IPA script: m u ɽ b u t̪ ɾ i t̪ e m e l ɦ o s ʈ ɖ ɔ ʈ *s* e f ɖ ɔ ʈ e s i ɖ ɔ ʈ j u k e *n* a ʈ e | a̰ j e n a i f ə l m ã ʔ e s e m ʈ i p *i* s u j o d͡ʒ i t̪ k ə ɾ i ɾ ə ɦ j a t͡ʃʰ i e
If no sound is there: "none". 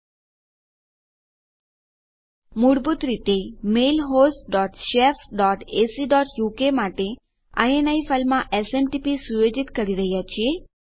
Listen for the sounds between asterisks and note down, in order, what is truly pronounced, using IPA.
ʃ, m, i

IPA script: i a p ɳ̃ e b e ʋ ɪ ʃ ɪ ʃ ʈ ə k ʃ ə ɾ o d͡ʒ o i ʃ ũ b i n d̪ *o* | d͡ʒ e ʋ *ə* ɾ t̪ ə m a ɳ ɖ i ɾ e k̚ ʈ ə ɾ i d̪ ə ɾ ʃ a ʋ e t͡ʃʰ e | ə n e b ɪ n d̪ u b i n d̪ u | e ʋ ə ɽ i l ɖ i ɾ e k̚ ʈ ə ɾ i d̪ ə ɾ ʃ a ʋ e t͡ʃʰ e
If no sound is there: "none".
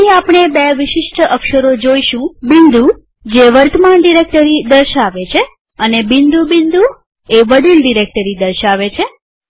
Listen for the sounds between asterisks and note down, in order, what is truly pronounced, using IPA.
u, ə

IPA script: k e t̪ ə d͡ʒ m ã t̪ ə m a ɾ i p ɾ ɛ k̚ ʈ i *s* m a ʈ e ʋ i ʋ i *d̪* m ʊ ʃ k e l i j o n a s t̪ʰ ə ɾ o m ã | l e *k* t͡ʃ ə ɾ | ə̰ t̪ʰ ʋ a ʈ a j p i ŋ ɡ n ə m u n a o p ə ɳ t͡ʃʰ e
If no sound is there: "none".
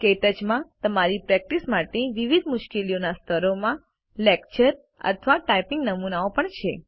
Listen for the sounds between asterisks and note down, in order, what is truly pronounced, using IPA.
s, d̪, k

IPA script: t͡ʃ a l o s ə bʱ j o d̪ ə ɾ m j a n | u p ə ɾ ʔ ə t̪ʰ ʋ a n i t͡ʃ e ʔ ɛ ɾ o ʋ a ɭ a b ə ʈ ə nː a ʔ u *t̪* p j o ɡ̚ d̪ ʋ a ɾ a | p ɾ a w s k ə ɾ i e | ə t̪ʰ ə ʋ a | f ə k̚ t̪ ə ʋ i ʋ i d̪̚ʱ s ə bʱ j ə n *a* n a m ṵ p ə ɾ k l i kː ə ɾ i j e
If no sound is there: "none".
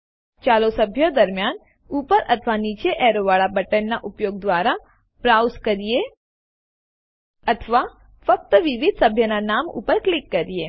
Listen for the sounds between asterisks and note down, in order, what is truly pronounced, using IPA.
none, a

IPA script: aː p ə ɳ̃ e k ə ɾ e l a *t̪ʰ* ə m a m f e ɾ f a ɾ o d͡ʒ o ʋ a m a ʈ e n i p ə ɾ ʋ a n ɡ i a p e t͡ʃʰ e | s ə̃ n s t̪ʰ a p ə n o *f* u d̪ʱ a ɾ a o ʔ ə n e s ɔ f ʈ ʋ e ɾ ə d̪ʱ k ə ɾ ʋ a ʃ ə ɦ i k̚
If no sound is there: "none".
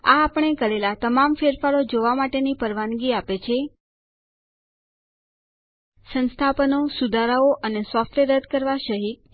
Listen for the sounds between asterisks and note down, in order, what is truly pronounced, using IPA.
t̪, s

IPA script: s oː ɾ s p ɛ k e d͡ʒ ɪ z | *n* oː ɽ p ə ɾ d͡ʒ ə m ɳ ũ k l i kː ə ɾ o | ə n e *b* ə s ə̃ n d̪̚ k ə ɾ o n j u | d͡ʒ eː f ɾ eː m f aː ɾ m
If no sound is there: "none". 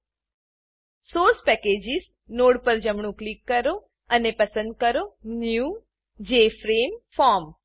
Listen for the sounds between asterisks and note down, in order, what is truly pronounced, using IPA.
n, p

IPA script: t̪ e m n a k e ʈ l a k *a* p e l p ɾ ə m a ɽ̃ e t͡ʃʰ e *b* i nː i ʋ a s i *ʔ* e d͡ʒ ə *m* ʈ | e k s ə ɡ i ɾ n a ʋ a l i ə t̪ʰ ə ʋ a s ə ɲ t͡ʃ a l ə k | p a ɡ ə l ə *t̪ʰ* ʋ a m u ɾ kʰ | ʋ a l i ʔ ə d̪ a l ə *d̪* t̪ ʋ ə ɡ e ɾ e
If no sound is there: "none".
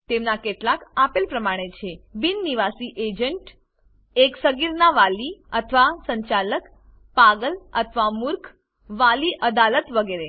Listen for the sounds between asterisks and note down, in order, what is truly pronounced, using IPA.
a, b, ʔ, ɳ, t̪ʰ, none

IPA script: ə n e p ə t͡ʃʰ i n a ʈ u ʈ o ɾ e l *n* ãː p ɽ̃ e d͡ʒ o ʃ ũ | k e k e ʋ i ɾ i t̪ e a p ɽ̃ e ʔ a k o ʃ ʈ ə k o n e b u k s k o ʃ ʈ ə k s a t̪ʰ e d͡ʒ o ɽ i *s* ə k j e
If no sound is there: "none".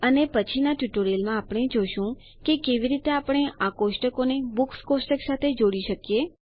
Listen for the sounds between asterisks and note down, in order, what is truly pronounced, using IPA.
m, ʃ

